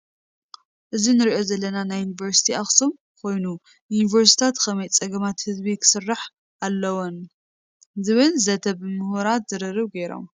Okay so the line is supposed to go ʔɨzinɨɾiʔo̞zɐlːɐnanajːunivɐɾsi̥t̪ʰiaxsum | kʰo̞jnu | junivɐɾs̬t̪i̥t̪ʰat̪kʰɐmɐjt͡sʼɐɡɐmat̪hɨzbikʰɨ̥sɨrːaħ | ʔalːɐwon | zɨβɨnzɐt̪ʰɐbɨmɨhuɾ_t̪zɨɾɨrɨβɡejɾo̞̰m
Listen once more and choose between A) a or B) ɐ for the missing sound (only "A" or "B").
A